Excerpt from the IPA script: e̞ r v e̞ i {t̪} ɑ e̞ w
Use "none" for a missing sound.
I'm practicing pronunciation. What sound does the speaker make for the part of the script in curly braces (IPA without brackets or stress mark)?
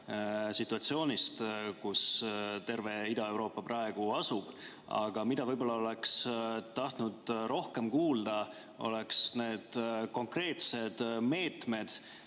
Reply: d̪